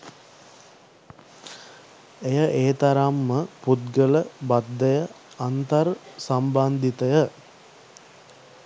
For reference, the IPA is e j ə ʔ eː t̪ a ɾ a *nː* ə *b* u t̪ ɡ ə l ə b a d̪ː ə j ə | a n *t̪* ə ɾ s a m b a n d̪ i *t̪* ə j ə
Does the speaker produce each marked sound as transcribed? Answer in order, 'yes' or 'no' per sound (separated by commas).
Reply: no, no, yes, yes